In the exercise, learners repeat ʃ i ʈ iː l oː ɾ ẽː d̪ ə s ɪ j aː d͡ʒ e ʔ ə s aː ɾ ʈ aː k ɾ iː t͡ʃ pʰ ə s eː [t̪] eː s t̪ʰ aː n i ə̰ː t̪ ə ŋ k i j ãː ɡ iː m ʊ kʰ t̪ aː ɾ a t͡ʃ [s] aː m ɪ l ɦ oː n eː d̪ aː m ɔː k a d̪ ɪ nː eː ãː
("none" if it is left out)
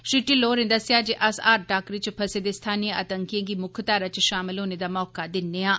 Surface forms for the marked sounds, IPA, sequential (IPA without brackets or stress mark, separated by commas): d̪, ʃ